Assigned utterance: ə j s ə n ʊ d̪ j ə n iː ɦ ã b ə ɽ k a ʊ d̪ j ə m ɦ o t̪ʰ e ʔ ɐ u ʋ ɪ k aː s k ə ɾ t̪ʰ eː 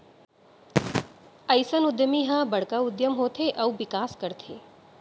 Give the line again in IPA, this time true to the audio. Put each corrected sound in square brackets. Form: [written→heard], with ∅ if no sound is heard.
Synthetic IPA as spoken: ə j s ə n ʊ d̪ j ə [n→m] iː ɦ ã b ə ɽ k a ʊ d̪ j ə m ɦ o t̪ʰ e ʔ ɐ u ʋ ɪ k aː s k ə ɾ t̪ʰ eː